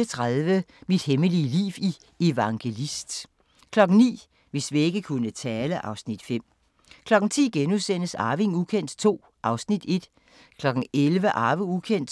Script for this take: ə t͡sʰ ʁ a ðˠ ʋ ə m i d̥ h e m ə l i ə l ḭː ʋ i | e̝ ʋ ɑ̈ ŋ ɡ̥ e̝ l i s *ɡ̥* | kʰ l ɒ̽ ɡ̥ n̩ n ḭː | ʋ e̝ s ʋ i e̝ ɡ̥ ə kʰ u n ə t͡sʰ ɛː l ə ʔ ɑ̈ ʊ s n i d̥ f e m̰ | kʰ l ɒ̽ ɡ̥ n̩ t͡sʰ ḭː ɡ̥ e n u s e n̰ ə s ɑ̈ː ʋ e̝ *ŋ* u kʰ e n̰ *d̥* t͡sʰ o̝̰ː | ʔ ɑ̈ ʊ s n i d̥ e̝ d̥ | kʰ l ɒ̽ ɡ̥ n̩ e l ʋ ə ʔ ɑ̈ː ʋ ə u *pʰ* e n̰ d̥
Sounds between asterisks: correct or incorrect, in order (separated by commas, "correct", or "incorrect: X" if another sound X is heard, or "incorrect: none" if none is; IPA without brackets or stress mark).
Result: incorrect: d̥, correct, correct, incorrect: kʰ